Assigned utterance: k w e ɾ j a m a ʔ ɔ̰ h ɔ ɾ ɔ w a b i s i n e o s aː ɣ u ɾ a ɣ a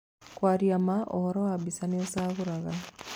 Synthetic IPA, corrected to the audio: k w a ɾ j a m a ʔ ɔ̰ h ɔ ɾ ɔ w a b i s a n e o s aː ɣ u ɾ a ɣ a